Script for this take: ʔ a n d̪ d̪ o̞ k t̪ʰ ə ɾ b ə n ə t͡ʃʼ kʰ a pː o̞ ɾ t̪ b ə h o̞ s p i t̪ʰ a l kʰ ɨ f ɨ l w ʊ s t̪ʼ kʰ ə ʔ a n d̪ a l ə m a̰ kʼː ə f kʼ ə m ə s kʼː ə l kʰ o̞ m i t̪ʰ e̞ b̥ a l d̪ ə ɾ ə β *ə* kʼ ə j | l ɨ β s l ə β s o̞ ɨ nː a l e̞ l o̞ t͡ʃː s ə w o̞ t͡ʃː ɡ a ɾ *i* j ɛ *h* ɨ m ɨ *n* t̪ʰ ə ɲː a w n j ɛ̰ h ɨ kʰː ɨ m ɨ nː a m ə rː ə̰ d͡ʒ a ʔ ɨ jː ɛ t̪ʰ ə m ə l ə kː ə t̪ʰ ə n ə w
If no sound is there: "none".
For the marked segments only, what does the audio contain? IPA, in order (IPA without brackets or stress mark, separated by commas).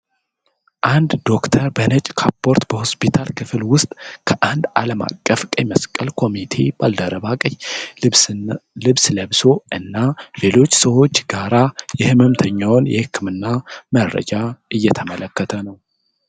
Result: a, a, h, m